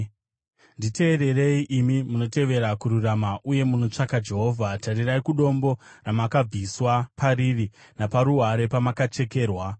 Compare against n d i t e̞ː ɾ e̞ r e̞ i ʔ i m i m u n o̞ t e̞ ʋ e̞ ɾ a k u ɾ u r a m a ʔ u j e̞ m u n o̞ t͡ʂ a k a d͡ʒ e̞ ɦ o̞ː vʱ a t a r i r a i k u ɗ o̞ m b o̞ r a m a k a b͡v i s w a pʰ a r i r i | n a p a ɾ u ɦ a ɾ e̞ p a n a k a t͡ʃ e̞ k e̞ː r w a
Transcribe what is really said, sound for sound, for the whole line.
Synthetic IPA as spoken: n d i t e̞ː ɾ e̞ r e̞ i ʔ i m i m u n o̞ t e̞ ʋ e̞ ɾ a k u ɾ u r a m a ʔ u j e̞ m u n o̞ t͡ʂ a k a d͡ʒ e̞ ɦ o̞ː vʱ a t a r i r a i k u ɗ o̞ m b o̞ r a m a k a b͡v i s w a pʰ a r i r i | n a p a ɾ u ɦ a ɾ e̞ p a m a k a t͡ʃ e̞ k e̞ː r w a